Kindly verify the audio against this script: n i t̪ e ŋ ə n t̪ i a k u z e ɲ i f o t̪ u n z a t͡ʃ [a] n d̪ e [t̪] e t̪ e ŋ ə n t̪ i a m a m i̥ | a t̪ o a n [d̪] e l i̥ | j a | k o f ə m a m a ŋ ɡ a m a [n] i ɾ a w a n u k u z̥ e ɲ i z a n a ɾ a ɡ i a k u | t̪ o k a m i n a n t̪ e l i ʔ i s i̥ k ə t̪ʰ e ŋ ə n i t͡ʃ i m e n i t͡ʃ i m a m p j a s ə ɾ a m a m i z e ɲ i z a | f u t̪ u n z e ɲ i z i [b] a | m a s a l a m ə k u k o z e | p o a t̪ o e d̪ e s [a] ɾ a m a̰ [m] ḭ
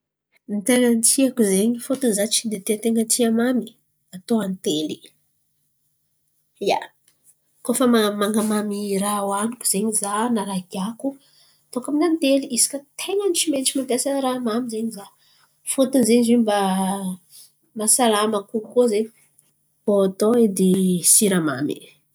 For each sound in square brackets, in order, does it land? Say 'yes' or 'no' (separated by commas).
no, yes, no, no, yes, no, yes